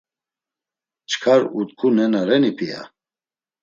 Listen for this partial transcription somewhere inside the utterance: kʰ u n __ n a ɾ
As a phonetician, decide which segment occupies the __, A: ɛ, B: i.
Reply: A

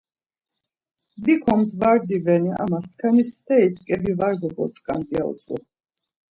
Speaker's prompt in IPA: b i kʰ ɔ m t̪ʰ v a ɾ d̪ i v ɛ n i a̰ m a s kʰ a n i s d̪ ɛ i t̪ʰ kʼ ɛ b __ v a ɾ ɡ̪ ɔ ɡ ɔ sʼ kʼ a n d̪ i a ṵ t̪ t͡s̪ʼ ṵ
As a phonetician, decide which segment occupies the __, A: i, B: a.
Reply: A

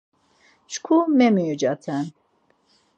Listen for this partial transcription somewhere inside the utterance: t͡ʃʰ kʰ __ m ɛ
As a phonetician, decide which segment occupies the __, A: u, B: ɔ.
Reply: A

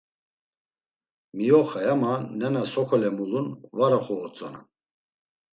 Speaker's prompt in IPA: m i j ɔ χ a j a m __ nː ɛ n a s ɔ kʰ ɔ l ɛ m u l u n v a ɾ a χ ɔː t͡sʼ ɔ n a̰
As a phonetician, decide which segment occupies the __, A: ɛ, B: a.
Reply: B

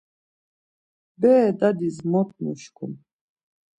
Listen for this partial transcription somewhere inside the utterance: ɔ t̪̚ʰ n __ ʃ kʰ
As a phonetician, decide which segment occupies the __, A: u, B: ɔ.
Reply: A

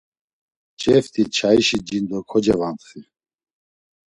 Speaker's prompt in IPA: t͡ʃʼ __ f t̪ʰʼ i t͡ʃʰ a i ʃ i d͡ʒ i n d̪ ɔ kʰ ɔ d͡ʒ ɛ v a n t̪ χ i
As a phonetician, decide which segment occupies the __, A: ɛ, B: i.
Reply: A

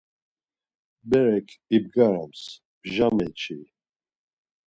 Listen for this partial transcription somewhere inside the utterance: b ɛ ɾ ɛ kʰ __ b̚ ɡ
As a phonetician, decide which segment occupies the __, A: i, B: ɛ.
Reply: A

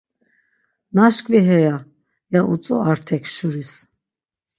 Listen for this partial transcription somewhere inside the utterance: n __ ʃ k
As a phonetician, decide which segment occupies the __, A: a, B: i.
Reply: A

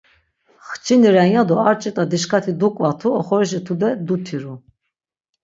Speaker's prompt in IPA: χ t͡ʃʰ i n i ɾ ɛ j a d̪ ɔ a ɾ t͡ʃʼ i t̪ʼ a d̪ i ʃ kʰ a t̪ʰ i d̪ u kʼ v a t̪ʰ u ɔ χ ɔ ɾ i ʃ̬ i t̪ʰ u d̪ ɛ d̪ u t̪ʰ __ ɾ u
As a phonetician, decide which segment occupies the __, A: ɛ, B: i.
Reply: B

